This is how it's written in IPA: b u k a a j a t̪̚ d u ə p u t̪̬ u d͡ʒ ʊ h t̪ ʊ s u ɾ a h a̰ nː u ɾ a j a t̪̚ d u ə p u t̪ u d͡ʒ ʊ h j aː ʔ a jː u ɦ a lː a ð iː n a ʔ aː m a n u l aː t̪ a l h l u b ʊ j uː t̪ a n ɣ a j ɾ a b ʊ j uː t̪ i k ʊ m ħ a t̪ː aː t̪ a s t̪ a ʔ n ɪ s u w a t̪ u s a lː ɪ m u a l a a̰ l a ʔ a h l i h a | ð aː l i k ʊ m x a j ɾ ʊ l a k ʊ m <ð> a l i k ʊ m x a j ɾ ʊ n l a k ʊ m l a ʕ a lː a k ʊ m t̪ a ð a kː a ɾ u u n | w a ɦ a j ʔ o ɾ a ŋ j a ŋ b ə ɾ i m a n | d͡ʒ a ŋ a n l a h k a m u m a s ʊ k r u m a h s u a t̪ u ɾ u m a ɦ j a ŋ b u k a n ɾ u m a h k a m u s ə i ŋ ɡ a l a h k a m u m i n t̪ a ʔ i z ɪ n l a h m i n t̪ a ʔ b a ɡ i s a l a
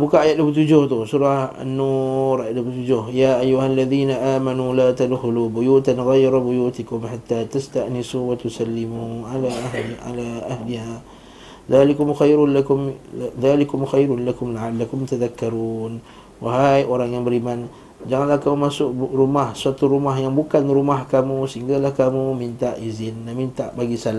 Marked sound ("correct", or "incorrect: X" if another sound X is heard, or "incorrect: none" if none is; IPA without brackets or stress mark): correct